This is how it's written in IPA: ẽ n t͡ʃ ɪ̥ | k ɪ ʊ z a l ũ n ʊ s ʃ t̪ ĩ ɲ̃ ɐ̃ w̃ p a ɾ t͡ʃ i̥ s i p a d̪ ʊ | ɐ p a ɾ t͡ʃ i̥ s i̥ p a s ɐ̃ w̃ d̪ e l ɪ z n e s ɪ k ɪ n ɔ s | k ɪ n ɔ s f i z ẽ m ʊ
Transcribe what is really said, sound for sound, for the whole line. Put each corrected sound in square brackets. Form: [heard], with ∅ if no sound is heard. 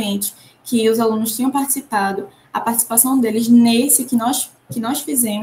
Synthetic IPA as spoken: ẽ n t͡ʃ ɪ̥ | k ɪ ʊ z a l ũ n ʊ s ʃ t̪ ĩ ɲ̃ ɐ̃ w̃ p a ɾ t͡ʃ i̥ s i p a d̪ ʊ | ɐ p a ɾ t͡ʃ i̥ s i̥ p a s ɐ̃ w̃ d̪ e l ɪ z n e s ɪ k ɪ n ɔ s | k ɪ n ɔ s f i z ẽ m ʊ